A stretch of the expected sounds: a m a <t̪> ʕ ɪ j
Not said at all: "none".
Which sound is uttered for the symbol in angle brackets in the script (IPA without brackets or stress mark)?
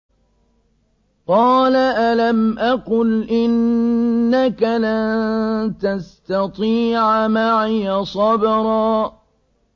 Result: none